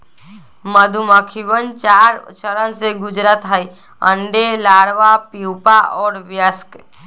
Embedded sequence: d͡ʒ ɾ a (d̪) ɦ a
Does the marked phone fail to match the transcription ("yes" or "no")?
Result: yes